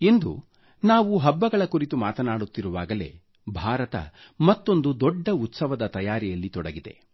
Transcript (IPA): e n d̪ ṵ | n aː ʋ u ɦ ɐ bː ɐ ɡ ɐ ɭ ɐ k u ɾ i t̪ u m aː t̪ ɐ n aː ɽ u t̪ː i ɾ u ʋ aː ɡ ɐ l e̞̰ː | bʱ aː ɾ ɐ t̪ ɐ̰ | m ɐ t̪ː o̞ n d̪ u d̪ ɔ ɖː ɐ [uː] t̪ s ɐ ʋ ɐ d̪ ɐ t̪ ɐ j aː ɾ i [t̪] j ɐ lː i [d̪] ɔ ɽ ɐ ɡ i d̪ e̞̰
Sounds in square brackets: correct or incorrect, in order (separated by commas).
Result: incorrect, incorrect, incorrect